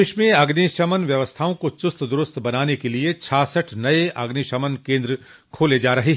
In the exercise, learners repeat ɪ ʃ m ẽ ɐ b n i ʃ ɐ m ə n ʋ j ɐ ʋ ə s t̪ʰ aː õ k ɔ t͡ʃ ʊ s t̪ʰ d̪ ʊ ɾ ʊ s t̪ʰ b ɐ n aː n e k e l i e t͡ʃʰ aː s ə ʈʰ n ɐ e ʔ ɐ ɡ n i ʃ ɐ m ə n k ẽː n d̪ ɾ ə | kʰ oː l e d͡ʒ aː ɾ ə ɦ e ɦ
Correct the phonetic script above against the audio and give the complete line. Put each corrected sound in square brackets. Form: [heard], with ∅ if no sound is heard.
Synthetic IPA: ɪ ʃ m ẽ ɐ [ɡ] n i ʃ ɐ m ə n ʋ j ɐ ʋ ə s t̪ʰ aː õ k [o] t͡ʃ ʊ s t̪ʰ d̪ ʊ ɾ ʊ s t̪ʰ b ɐ n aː n e k e l i e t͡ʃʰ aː s ə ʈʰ n ɐ e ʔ ɐ ɡ n i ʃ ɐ m ə n k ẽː n d̪ ɾ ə | kʰ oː l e d͡ʒ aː ɾ [ɐ] ɦ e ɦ